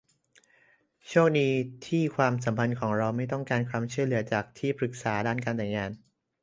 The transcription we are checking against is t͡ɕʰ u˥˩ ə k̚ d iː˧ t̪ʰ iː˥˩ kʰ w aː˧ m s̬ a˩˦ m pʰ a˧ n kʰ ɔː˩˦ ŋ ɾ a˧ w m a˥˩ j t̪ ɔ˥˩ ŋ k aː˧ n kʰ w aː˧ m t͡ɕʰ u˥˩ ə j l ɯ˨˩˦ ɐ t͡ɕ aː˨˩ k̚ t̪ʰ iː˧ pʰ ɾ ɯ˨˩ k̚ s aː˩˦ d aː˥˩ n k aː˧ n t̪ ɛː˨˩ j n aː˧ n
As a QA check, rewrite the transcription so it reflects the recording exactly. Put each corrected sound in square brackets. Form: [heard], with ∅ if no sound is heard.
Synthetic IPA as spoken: t͡ɕʰ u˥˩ ə k̚ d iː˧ t̪ʰ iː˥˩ kʰ w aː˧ m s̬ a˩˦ m pʰ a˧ n kʰ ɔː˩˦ ŋ ɾ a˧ w m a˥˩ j t̪ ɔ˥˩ ŋ k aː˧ n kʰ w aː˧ m t͡ɕʰ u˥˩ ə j l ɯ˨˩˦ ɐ t͡ɕ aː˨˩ k̚ t̪ʰ [iː˥˩] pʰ ɾ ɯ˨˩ k̚ s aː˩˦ d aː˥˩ n k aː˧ n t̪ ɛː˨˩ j [ŋ] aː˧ n